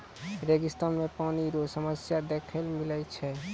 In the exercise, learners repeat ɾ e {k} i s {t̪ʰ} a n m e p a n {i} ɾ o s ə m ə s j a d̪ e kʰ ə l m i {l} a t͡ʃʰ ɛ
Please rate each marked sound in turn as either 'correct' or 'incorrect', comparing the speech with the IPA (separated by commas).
incorrect, incorrect, correct, correct